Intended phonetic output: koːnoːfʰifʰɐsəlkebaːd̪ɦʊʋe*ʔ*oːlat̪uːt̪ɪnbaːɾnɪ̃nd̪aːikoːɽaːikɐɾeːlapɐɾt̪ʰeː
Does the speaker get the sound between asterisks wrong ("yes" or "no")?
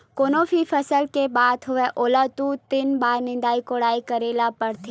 no